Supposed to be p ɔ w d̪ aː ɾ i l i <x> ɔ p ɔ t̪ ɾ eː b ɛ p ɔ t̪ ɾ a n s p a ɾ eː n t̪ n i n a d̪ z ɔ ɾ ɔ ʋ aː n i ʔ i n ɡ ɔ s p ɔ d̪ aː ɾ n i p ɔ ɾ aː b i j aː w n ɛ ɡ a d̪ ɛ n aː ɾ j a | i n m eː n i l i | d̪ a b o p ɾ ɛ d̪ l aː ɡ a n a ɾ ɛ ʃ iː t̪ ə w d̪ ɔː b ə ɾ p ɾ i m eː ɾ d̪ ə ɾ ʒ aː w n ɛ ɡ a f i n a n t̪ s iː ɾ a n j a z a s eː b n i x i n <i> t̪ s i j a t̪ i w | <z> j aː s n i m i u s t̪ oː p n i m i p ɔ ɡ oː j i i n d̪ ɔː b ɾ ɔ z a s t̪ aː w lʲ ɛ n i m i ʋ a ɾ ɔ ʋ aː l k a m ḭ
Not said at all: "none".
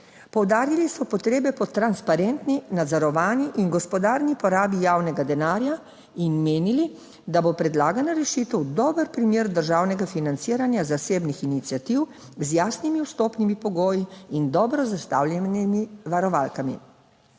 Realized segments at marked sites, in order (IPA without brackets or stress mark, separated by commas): s, i, z